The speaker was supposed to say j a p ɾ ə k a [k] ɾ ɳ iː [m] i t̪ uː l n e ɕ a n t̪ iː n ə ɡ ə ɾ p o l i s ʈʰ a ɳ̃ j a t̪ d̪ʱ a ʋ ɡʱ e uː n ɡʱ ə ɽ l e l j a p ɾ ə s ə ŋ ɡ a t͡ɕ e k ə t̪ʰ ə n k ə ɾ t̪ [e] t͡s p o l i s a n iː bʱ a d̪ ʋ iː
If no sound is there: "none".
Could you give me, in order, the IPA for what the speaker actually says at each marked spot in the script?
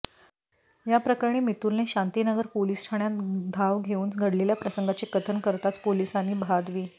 none, m, a

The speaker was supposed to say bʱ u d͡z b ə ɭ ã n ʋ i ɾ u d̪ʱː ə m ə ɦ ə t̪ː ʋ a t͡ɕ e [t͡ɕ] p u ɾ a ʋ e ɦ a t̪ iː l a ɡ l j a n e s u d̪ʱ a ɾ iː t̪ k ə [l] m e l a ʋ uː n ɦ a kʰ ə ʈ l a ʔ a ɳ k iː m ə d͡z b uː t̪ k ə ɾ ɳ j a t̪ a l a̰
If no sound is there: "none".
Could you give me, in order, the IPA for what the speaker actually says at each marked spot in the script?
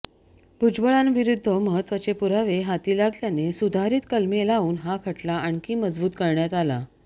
none, l

